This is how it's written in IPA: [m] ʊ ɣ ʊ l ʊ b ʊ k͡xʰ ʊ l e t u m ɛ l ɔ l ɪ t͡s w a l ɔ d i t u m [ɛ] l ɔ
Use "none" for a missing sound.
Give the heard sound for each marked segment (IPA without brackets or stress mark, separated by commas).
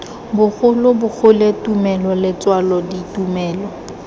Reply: b, ɛː